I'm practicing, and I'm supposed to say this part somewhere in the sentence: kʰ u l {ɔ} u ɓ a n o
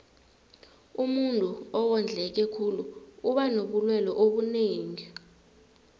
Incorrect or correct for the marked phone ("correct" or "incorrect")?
incorrect